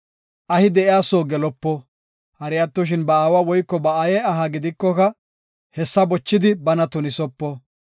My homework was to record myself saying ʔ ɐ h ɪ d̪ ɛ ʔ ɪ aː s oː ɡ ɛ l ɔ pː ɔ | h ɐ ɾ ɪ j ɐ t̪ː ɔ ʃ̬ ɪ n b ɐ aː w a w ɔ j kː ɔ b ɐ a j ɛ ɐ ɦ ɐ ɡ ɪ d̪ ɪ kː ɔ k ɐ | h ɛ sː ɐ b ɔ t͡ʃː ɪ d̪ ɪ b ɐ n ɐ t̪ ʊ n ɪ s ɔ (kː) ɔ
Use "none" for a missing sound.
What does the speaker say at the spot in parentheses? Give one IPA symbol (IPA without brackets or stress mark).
pː